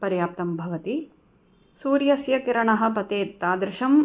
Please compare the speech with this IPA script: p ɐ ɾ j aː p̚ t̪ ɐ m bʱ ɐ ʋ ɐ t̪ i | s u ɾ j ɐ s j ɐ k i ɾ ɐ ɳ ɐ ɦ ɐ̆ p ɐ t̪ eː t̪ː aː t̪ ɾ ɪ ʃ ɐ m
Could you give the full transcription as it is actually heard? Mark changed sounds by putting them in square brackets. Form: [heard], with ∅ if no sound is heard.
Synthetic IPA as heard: p ɐ ɾ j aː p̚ t̪ ɐ m bʱ ɐ ʋ ɐ t̪ i | s [uː] ɾ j ɐ s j ɐ k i ɾ ɐ ɳ ɐ ɦ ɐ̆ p ɐ t̪ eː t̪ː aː [d̪] ɾ ɪ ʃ ɐ m